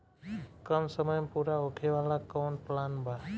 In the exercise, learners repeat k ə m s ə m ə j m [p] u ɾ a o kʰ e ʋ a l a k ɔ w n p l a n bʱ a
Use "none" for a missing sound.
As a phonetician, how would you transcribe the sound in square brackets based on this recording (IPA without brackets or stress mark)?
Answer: p